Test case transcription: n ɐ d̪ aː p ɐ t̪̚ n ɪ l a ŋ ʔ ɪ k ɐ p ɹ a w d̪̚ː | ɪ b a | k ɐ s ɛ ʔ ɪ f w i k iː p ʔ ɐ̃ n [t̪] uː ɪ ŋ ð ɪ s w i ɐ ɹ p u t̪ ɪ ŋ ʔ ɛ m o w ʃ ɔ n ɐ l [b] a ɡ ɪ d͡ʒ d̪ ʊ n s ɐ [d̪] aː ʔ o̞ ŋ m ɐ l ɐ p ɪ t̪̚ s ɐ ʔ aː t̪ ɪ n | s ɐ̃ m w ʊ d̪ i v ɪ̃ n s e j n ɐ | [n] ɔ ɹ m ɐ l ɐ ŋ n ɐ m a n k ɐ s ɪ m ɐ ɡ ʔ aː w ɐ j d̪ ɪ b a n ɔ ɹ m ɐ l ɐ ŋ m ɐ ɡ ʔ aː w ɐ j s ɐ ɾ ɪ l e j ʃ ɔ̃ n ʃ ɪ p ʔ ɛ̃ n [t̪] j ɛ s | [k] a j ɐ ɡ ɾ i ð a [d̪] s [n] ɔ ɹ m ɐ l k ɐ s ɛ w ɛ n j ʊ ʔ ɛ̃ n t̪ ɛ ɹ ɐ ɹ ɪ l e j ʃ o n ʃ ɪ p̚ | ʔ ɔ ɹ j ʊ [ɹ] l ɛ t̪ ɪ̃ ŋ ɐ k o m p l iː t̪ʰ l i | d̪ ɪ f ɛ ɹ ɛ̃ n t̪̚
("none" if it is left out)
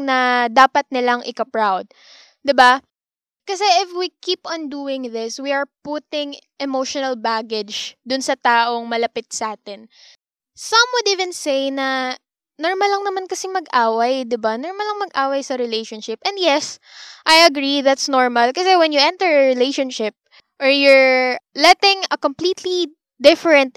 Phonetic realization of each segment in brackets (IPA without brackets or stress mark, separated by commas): d̪, b, t̪, n, d̪, ʔ, t̪, n, ɹ